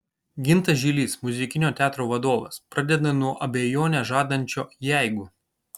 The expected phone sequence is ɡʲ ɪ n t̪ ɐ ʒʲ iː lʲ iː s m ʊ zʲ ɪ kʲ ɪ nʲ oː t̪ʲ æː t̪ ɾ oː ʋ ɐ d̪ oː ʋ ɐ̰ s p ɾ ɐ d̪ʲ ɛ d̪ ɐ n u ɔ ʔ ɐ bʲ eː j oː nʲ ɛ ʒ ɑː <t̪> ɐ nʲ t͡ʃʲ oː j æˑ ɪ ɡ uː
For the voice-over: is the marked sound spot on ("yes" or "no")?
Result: no